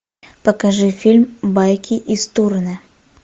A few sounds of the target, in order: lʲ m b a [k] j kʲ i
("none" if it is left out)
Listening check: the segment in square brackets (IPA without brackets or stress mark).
none